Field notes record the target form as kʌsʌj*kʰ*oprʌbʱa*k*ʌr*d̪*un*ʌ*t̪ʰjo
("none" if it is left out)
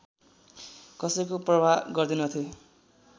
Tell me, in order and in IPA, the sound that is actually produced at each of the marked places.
k, ɡ, d̪, ʌ

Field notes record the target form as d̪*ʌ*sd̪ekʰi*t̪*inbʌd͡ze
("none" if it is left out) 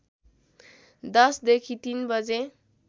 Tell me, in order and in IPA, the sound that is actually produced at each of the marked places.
ʌ, t̪

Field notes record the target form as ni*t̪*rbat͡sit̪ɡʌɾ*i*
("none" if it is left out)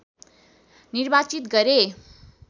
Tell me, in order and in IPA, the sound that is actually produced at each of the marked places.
none, e

